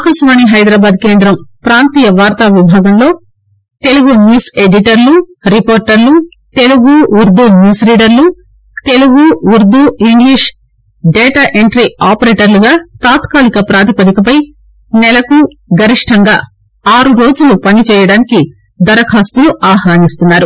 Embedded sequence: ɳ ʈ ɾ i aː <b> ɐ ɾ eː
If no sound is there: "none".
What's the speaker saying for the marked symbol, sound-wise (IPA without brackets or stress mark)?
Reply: p